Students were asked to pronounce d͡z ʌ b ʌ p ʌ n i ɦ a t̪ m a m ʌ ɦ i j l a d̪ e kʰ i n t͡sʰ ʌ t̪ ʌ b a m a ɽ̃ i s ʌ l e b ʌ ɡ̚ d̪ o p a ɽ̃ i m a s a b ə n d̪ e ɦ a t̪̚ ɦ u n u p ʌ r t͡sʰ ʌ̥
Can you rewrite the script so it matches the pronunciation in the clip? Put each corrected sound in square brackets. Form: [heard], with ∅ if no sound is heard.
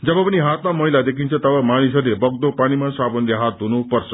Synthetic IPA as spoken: d͡z ʌ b ʌ p ʌ n i ɦ a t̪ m a m ʌ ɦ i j l a d̪ e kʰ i n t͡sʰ ʌ t̪ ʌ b a m a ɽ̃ i s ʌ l e b ʌ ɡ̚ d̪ o p a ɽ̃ i m a s a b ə n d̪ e ɦ a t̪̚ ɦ u n u p ʌ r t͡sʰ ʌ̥